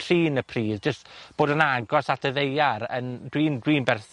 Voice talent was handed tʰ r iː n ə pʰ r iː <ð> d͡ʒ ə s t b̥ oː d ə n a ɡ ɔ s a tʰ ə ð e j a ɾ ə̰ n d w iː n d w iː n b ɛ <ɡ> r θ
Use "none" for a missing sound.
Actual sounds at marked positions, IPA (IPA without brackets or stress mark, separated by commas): ð, none